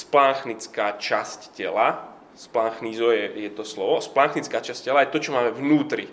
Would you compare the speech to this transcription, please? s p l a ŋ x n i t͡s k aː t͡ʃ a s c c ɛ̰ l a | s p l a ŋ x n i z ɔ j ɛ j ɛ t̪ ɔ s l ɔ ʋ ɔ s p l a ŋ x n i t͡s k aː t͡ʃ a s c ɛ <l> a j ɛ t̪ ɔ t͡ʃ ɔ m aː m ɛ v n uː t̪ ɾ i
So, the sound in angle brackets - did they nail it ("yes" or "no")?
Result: yes